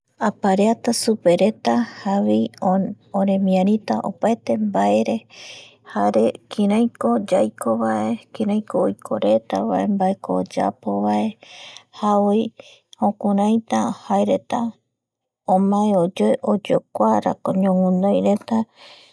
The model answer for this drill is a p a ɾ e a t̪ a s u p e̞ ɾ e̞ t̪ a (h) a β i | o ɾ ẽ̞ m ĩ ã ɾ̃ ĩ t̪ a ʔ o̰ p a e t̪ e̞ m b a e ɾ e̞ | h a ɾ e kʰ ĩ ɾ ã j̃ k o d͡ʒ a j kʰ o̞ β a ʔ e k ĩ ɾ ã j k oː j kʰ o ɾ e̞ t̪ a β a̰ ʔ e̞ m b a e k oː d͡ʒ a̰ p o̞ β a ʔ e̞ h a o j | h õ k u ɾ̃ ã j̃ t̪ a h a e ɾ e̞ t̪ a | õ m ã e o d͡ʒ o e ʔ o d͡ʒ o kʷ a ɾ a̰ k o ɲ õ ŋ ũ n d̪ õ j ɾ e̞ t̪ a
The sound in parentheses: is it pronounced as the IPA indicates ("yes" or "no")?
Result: yes